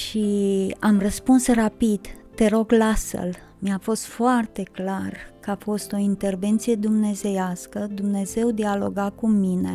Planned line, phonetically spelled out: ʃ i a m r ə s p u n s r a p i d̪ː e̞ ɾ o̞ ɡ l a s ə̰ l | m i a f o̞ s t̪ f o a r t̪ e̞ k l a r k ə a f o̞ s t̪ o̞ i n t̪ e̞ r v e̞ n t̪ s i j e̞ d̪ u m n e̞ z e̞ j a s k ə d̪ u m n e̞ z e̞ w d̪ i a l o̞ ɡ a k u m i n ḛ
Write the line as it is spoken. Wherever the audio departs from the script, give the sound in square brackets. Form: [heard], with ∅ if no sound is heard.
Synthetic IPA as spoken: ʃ i a m r ə s p u n s r a p i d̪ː e̞ ɾ o̞ ɡ l a s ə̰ l | m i a f o̞ s t̪ f o a r t̪ e̞ k l a r k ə a f o̞ s t̪ o̞ i n t̪ e̞ r v e̞ n t̪ s i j e̞ d̪ u m n e̞ z e̞ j a s k ə d̪ u m n e̞ z e̞ w d̪ i a l o̞ ɡ a k u m i n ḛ